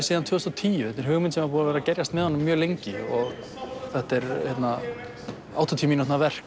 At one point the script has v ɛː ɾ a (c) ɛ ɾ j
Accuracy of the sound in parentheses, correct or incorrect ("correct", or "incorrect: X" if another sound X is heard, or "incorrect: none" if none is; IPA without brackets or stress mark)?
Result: correct